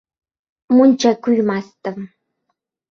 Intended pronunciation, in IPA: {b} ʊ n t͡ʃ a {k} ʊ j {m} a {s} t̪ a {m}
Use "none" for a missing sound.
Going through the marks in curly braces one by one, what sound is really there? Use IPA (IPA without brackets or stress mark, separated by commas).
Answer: m, k, m, s, m